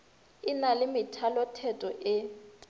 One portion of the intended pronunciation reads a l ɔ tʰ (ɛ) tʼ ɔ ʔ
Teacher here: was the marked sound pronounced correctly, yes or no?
yes